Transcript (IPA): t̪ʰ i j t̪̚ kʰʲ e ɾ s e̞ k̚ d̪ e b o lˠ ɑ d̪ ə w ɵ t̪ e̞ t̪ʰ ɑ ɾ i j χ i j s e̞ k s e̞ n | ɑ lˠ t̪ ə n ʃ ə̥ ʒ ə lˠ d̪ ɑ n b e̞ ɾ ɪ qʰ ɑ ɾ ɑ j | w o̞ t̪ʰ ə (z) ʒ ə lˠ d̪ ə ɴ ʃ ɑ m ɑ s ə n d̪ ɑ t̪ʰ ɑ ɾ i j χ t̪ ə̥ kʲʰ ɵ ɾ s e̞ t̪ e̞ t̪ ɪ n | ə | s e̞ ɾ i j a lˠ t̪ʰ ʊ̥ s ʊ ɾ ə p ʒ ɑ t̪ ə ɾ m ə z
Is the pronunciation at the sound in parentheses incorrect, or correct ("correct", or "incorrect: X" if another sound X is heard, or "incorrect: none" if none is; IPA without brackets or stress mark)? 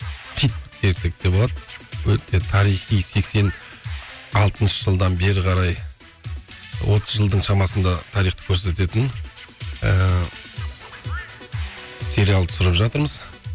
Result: correct